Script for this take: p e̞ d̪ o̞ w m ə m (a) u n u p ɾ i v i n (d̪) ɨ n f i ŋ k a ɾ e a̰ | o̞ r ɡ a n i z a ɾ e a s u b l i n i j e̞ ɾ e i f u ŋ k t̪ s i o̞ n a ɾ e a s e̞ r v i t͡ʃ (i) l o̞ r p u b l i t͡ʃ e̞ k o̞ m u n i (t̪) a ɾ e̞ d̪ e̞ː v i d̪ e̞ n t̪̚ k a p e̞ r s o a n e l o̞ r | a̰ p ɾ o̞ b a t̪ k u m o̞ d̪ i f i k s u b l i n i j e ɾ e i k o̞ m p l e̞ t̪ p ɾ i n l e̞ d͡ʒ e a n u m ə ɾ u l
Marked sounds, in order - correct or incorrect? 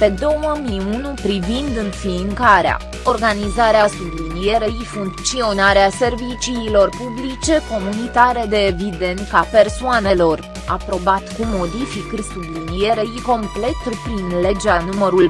incorrect: i, correct, incorrect: iː, correct

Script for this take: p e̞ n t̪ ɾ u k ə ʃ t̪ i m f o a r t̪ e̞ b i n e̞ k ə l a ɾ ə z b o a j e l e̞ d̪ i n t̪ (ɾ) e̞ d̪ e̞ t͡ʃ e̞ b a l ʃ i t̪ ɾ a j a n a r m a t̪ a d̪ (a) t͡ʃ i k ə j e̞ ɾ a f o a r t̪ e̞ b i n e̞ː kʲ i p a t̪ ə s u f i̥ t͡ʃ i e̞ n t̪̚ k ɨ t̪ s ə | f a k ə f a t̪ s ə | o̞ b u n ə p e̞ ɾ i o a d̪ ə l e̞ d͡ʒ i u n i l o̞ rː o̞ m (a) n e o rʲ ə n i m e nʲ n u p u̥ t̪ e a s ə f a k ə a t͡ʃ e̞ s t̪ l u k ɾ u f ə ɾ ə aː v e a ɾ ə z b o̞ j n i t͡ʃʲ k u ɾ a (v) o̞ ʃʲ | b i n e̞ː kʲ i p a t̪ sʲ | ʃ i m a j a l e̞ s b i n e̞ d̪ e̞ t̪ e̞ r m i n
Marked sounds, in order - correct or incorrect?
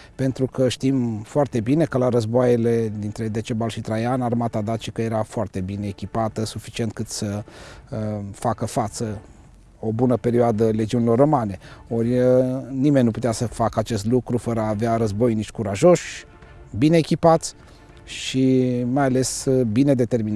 correct, correct, correct, incorrect: ʒ

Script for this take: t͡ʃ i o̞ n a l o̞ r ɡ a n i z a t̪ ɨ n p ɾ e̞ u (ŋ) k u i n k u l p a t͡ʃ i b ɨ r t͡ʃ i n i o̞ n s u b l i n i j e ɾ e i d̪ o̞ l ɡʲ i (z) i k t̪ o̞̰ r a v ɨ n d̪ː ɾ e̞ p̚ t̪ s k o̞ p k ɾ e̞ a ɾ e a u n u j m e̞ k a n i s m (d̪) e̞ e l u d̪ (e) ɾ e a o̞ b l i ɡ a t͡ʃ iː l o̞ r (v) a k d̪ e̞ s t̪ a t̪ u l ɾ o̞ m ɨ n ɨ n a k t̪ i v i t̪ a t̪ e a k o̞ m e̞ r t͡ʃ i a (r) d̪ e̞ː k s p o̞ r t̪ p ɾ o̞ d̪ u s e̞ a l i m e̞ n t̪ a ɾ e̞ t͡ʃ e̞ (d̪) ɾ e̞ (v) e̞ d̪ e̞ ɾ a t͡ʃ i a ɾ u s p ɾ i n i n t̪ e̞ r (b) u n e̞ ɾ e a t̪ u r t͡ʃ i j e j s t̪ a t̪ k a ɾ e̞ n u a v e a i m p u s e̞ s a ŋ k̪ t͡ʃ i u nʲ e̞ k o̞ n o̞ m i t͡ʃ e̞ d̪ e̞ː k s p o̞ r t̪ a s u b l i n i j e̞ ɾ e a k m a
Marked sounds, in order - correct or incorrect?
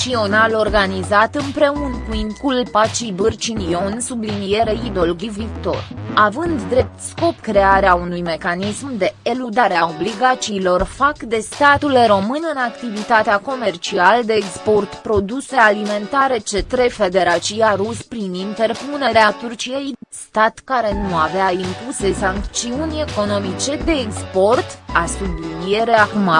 incorrect: n, incorrect: v, correct, incorrect: a, incorrect: f, incorrect: l, incorrect: t̪, incorrect: f, incorrect: p

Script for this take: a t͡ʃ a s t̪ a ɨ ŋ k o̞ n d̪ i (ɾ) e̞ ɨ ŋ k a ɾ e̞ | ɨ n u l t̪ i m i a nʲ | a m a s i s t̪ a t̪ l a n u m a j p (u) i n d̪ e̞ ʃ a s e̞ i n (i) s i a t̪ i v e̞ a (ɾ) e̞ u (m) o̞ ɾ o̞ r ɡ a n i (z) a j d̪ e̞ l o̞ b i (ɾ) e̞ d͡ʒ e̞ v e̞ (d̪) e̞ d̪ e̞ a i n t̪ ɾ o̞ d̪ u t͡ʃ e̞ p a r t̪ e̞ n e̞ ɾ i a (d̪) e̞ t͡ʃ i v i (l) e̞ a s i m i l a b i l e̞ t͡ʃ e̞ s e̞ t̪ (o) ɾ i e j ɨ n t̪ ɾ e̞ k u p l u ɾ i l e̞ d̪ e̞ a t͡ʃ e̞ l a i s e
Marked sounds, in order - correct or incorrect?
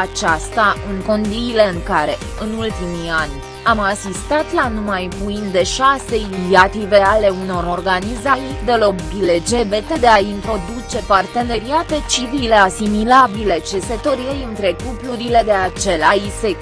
incorrect: l, correct, correct, incorrect: l, incorrect: n, correct, incorrect: l, incorrect: t̪, incorrect: t̪, correct, correct

